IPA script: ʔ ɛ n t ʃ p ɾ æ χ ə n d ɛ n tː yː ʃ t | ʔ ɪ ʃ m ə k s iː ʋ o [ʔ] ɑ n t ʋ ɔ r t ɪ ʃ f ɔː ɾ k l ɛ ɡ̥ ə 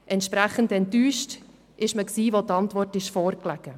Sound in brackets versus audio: incorrect: t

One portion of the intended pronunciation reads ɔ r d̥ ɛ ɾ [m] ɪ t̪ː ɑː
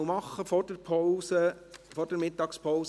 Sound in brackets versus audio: correct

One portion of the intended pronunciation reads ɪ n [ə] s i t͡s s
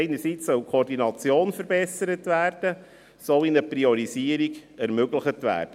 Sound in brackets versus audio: correct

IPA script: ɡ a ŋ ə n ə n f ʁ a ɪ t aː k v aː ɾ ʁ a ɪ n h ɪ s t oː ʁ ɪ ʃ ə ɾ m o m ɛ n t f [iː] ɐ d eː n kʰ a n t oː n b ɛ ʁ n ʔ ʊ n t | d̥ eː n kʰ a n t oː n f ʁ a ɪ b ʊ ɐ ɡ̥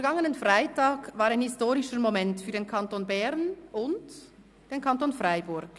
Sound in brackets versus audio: incorrect: yː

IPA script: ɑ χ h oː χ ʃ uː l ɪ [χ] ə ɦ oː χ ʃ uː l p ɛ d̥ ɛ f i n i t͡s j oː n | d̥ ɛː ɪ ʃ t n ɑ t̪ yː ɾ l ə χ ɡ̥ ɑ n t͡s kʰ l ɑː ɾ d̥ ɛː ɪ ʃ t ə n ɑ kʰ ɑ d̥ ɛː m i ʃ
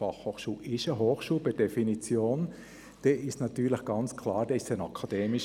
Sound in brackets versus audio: incorrect: ʃ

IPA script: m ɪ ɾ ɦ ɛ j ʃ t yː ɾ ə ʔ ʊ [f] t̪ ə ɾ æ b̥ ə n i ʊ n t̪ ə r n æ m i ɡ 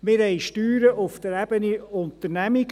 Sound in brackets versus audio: correct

